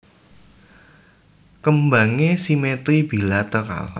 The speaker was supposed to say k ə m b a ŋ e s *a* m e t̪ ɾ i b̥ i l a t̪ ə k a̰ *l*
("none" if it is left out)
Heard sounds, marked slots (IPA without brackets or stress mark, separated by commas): i, l